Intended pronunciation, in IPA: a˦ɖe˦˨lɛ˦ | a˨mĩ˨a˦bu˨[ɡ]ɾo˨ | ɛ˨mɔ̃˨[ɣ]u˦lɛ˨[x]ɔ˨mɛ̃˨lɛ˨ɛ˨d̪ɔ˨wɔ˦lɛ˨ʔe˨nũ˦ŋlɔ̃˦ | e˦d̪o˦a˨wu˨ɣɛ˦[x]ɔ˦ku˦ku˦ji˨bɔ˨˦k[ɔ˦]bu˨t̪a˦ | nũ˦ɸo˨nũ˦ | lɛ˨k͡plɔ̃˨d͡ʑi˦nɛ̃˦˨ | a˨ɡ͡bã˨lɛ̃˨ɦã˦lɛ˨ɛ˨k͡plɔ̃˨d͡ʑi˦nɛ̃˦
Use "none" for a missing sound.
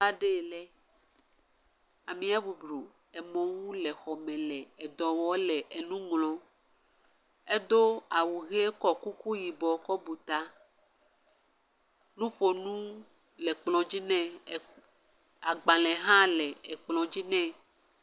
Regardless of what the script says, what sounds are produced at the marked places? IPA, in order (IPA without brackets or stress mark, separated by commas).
b, w, x, k, ɔ˦